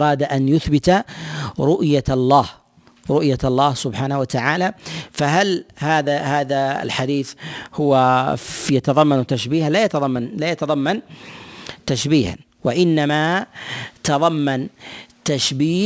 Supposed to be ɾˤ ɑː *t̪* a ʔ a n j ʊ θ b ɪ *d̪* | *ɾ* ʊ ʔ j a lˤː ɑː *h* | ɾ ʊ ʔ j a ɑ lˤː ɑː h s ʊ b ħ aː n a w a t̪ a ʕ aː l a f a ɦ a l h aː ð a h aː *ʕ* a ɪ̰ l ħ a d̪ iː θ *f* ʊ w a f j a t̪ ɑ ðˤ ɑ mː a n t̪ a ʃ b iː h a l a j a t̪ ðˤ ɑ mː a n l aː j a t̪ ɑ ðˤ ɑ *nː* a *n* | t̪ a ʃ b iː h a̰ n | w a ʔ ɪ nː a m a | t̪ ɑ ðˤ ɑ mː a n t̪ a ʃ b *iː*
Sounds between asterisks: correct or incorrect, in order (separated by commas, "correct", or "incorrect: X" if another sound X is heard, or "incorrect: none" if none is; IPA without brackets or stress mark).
incorrect: d̪, incorrect: t̪, correct, correct, incorrect: ð, incorrect: h, incorrect: mː, correct, correct